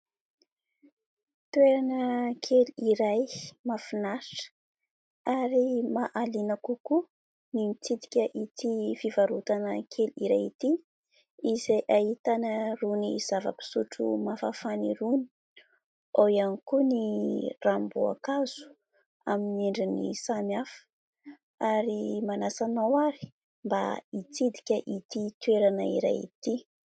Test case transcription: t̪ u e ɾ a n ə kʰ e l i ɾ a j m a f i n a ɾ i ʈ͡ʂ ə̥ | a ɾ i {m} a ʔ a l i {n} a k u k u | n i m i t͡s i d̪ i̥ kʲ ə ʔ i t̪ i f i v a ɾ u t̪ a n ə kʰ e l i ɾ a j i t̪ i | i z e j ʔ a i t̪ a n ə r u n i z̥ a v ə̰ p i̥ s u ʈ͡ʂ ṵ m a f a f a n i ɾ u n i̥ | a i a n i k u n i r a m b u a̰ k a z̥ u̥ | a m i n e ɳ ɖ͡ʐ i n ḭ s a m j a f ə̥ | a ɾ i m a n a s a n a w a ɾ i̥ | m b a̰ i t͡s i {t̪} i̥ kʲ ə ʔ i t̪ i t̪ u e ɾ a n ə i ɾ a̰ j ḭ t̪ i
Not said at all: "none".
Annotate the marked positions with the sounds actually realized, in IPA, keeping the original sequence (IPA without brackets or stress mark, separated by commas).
m, n, d̪